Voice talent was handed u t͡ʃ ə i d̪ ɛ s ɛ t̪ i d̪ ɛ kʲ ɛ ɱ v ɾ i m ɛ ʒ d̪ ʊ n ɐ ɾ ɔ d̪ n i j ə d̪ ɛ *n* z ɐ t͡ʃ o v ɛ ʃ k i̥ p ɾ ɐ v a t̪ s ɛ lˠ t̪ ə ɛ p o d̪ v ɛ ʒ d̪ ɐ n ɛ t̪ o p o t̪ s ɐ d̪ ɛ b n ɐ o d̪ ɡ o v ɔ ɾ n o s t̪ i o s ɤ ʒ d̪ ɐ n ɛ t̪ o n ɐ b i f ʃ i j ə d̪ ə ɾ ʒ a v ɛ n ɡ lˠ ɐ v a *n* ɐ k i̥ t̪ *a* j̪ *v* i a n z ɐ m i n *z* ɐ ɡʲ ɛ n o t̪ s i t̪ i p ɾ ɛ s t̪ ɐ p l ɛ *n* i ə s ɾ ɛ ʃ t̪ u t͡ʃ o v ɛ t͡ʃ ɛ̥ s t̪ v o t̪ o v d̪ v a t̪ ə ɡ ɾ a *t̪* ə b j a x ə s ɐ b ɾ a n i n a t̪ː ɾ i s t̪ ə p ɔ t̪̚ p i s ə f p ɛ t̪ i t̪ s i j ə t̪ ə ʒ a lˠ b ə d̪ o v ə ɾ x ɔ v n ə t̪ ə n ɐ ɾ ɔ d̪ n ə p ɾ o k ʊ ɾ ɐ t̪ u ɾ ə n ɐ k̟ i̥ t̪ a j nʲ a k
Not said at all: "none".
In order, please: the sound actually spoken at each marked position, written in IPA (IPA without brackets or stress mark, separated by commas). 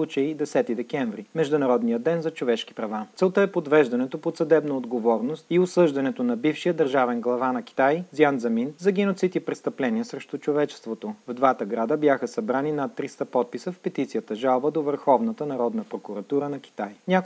n, n, a, z, z, n, d̪